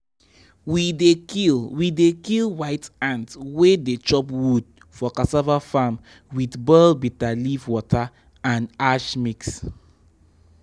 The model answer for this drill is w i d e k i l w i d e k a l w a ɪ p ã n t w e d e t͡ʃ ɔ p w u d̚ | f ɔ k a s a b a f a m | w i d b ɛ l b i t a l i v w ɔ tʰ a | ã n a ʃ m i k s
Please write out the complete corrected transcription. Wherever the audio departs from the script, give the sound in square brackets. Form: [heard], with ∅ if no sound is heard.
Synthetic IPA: w i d e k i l w i d e k [i] l w a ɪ [t] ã n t w e d e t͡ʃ ɔ p w u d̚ | f ɔ k a s a [v] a f a m | w i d b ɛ l b i t a l i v w ɔ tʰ a | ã n a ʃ m i k s